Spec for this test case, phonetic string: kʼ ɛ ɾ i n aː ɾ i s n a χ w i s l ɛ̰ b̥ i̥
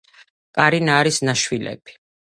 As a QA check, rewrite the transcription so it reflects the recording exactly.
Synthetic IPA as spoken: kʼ a ɾ i n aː ɾ i s n a ʃ w i l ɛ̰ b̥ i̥